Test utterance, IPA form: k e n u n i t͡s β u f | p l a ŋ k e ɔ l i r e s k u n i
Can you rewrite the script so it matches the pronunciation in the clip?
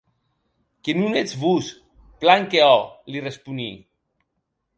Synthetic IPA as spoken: k e n u n e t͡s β u s | p l a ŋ k e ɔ l i r e s p u n i